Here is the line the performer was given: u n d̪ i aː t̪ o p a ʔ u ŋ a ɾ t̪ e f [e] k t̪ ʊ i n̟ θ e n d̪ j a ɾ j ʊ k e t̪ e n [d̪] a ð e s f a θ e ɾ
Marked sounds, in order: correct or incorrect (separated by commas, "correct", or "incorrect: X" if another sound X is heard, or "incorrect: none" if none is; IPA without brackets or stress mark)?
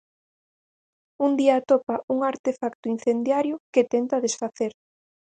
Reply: incorrect: a, incorrect: t̪